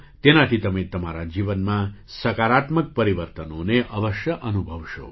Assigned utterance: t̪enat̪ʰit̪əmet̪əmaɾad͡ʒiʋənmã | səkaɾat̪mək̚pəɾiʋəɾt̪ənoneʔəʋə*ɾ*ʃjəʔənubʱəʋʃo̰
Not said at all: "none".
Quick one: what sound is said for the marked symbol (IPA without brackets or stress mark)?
none